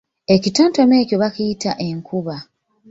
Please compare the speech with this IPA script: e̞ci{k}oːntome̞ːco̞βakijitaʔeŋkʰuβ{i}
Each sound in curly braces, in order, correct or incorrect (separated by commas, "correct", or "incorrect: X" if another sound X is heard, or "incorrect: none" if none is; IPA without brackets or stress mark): incorrect: t, incorrect: a